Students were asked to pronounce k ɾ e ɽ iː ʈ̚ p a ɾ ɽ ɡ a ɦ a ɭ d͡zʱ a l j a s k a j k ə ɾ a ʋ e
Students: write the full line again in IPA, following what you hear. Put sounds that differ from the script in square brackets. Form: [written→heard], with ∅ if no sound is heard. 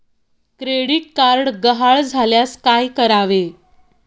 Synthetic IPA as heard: k ɾ e ɽ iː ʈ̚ [p→k] a ɾ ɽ ɡ [a→ə] ɦ a ɭ d͡zʱ a l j a s k a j k ə ɾ a ʋ e